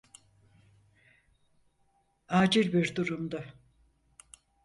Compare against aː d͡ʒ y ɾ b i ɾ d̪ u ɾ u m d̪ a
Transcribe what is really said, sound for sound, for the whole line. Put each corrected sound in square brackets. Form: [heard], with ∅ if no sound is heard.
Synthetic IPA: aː d͡ʒ [i] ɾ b i ɾ d̪ u ɾ u m d̪ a

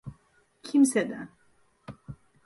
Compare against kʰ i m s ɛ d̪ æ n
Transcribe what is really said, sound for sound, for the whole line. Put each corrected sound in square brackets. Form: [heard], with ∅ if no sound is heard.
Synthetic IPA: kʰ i m s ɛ d̪ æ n

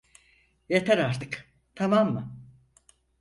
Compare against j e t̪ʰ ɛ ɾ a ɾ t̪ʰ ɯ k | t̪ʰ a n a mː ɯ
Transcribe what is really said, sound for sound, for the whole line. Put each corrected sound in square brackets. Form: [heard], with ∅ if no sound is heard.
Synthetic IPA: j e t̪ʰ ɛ ɾ a ɾ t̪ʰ ɯ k | t̪ʰ a [m] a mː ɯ

